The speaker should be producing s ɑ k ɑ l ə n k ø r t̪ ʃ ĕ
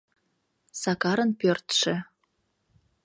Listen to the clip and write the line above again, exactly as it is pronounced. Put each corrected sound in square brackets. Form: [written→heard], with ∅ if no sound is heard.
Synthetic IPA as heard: s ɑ k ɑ [l→ɾ] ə n [k→p] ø r t̪ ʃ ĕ